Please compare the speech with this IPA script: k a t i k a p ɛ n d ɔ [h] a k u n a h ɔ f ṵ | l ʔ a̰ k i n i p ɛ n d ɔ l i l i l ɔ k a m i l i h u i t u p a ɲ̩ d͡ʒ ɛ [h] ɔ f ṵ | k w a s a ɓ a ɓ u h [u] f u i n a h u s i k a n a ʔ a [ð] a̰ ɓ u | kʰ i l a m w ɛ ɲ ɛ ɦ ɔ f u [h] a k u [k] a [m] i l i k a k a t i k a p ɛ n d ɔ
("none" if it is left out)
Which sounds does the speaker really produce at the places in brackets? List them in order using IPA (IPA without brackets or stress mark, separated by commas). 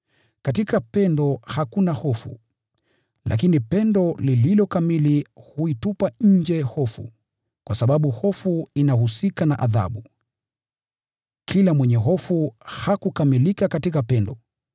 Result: h, h, ɔ, ð, h, k, m